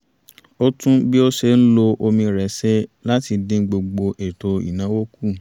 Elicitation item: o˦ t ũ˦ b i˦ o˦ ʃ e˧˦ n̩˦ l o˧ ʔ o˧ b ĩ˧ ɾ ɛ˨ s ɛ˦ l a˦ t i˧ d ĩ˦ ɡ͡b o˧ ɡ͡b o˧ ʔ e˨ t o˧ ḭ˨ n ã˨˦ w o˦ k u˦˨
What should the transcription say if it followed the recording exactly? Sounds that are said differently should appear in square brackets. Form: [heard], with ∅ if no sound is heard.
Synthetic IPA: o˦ t ũ˦ b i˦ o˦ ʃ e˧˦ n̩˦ l o˧ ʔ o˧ [m] ĩ˧ ɾ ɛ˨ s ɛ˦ l a˦ t i˧ d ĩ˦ ɡ͡b o˧ ɡ͡b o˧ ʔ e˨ t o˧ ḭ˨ n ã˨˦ w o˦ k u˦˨

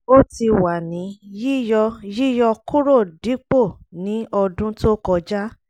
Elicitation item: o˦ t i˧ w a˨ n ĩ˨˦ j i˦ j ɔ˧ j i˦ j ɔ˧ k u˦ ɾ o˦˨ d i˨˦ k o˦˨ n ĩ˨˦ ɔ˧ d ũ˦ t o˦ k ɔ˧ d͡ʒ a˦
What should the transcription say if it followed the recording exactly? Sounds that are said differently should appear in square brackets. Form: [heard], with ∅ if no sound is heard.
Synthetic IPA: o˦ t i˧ w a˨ n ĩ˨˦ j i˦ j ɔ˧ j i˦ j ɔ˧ k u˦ ɾ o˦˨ d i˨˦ [k͡p] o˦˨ n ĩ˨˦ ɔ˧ d ũ˦ t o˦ k ɔ˧ d͡ʒ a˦

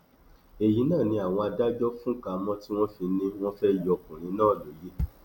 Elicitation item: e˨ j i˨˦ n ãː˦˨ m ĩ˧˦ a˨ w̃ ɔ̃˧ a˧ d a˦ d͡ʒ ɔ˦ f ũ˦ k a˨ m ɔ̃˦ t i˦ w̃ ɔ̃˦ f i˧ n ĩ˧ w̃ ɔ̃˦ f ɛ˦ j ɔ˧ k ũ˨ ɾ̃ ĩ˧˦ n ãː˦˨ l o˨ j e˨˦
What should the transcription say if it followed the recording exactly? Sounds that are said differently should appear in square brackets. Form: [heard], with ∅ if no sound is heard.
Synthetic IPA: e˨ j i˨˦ n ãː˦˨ [n] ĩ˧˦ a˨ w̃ ɔ̃˧ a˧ d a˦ d͡ʒ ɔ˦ f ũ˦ k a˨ m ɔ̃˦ t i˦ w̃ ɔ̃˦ f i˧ n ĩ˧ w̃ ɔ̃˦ f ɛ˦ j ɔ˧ k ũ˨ ɾ̃ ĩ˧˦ n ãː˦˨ l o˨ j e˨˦

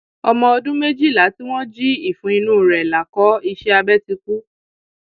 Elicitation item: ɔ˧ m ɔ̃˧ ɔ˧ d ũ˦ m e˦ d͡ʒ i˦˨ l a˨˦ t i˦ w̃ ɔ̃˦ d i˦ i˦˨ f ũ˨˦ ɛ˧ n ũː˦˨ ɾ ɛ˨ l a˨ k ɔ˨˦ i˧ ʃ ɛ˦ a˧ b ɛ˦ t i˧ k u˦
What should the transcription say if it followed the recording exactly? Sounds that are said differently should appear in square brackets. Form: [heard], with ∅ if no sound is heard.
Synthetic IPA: ɔ˧ m ɔ̃˧ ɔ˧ d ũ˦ m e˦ d͡ʒ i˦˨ l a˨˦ t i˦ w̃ ɔ̃˦ [d͡ʒ] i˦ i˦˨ f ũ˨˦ [i˧] n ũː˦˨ ɾ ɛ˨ l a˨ k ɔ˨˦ i˧ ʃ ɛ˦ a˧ b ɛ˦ t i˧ k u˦

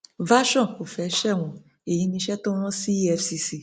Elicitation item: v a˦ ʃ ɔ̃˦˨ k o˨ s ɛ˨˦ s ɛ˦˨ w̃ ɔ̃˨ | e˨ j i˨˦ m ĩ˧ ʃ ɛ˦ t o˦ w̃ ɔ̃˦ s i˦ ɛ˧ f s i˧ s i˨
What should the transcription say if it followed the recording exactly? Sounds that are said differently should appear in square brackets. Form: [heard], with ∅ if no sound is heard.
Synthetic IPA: v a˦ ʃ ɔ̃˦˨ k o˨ [f] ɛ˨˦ [ʃ] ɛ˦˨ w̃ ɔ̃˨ | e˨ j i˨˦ [n] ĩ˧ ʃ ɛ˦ t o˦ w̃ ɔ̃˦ s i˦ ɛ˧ f s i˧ s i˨

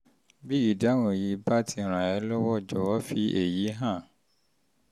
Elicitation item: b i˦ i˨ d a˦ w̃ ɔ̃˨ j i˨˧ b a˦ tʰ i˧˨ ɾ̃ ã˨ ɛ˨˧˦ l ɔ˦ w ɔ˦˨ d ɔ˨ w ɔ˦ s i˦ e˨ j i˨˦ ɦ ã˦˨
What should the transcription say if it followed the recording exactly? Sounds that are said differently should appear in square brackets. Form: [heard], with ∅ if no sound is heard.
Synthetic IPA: b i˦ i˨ d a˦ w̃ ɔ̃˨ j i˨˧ b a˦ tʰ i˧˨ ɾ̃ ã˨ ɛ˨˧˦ l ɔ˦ w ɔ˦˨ [d͡ʒ] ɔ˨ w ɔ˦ [f] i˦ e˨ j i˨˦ ɦ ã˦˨

